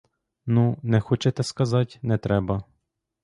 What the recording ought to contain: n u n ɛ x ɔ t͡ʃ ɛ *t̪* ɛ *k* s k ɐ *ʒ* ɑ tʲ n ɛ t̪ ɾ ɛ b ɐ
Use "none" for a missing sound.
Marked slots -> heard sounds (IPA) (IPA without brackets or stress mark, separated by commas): t̪, none, z